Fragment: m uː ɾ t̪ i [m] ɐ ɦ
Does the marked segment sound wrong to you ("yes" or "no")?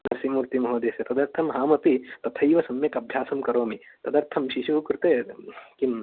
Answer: no